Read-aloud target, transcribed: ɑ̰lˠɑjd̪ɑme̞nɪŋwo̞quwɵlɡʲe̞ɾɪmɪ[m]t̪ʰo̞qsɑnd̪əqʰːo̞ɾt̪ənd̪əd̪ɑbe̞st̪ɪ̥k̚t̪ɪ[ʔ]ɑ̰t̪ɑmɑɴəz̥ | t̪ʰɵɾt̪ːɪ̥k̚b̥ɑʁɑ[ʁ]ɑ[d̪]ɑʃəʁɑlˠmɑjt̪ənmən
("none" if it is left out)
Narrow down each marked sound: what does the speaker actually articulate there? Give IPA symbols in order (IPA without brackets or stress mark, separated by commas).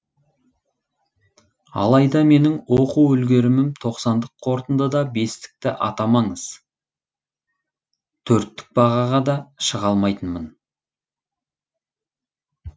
m, ʔ, ʁ, d̪